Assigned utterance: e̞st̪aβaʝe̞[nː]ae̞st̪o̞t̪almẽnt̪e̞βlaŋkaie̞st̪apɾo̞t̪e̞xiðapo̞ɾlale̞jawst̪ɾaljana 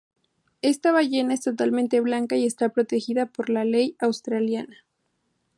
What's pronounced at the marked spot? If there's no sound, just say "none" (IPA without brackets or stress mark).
n